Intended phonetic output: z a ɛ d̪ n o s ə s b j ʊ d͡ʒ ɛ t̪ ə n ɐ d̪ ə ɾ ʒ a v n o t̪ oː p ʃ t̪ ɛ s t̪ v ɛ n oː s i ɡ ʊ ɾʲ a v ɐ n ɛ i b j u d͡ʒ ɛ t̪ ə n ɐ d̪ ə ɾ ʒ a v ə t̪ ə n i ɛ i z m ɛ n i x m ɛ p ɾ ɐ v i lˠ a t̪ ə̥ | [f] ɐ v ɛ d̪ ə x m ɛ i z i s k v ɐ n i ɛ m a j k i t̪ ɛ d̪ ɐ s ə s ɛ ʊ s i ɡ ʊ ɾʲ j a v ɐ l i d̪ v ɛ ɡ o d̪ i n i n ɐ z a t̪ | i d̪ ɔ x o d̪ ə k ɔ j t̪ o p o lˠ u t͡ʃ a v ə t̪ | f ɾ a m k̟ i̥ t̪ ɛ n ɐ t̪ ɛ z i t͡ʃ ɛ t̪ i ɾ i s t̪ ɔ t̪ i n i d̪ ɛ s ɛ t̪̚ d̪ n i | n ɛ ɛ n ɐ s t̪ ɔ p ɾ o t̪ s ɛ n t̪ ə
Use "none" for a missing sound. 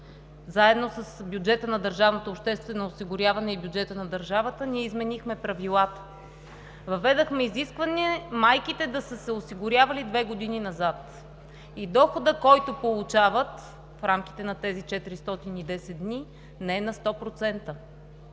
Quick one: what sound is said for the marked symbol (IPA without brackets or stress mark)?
v